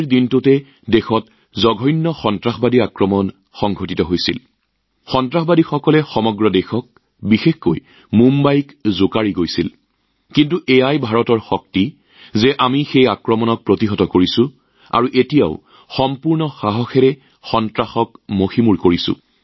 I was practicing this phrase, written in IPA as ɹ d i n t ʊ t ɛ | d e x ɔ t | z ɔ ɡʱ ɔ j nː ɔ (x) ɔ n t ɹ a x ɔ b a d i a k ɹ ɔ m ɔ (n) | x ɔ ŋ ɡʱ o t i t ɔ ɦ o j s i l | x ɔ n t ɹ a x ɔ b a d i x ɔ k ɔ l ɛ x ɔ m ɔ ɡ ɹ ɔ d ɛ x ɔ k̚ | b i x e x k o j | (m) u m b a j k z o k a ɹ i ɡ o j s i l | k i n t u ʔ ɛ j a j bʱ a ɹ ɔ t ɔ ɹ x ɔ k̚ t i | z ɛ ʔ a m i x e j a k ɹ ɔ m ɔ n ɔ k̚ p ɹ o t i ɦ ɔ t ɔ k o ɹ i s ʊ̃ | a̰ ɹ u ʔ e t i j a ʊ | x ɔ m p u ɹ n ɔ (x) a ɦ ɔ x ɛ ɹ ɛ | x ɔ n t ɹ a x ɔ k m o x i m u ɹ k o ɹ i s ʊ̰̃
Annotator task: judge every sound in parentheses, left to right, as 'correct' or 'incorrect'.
correct, correct, correct, correct

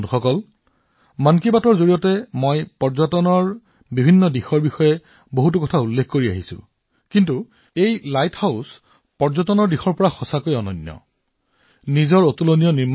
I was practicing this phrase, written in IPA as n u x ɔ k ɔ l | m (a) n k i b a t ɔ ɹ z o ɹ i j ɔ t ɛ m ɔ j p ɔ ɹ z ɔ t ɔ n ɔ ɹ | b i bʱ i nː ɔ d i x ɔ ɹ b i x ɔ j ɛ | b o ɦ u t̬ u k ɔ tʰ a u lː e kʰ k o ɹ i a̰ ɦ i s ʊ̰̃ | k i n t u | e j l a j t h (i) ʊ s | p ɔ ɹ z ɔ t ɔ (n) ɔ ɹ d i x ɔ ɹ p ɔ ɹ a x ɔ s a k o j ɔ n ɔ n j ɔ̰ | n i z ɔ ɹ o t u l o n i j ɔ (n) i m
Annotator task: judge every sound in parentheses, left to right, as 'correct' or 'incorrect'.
correct, incorrect: a, correct, correct

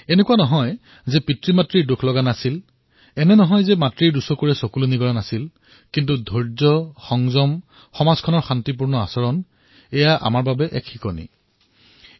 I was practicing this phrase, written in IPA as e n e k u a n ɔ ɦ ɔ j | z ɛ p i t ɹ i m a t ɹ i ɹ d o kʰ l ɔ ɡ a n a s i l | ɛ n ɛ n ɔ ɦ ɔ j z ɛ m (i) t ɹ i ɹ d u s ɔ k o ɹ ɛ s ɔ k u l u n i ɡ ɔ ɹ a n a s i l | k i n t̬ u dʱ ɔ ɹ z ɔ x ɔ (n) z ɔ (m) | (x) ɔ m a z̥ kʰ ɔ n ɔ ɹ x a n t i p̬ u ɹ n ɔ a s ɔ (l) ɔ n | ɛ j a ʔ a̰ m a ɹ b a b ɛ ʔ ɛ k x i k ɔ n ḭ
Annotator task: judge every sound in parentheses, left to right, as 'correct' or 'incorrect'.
incorrect: a, incorrect: ŋ, correct, correct, incorrect: ɹ

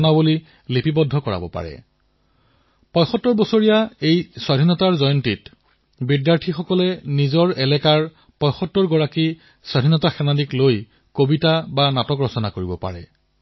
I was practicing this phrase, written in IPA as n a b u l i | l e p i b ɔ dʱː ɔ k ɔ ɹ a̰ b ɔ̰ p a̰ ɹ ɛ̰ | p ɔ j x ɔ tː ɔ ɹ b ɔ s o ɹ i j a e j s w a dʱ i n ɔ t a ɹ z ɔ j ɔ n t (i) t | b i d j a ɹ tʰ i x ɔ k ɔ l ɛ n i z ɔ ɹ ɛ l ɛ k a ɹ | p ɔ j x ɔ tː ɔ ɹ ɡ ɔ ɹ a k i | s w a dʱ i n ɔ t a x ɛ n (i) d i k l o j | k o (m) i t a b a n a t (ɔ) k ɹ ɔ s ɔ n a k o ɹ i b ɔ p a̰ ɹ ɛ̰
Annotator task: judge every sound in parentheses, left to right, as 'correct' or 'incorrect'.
correct, incorrect: a, incorrect: b, correct

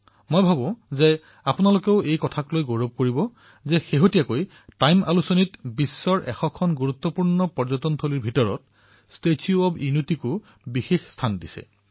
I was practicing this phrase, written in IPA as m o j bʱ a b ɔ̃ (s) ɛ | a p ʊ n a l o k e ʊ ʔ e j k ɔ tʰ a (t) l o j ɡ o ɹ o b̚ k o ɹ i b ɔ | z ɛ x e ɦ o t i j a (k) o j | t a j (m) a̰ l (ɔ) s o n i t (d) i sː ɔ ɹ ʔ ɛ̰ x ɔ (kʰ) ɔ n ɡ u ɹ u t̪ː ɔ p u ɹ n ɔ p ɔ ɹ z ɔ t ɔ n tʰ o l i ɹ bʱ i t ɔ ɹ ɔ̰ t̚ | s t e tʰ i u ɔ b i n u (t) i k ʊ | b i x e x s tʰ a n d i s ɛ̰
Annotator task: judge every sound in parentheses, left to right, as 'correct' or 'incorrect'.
incorrect: z, incorrect: k, correct, correct, incorrect: u, incorrect: b, correct, correct

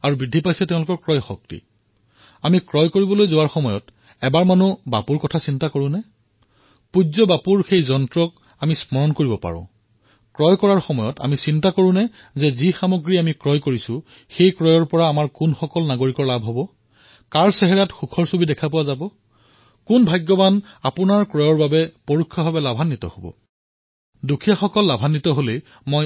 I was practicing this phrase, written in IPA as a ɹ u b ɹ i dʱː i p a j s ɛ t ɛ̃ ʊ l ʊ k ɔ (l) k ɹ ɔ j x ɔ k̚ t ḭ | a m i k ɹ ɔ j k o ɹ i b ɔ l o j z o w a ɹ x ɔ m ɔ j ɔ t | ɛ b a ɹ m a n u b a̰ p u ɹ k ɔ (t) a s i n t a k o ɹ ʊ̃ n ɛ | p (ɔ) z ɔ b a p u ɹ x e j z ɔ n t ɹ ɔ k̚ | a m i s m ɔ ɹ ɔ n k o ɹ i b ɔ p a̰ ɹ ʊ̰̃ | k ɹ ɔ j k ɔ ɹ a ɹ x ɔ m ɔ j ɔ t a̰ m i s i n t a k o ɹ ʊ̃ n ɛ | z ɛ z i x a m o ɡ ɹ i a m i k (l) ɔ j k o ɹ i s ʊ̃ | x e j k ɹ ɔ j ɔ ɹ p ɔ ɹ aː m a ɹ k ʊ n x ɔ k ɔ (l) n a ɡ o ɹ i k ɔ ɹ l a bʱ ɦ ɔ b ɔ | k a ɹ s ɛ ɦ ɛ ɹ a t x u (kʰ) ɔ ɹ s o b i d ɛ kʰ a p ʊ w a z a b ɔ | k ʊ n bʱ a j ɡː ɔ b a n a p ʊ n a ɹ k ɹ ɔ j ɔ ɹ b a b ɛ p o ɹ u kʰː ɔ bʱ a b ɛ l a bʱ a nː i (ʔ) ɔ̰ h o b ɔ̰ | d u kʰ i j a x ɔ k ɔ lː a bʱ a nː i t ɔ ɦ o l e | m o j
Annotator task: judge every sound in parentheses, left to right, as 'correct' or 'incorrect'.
incorrect: ɹ, incorrect: tʰ, incorrect: u, incorrect: ɹ, correct, correct, incorrect: t

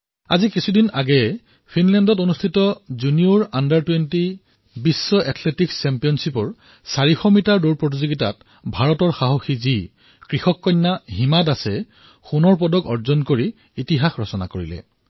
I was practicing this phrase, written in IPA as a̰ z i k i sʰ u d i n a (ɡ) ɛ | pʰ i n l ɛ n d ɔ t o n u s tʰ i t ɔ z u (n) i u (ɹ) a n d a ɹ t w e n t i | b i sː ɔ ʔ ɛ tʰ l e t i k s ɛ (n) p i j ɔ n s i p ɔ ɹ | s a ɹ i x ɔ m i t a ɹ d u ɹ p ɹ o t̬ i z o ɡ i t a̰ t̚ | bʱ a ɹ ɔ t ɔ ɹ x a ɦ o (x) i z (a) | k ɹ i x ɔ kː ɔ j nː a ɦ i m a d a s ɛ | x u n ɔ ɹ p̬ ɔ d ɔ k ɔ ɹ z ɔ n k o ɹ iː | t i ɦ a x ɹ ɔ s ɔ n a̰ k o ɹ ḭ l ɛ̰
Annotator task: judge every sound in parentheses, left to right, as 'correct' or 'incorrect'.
correct, correct, correct, incorrect: m, correct, incorrect: i

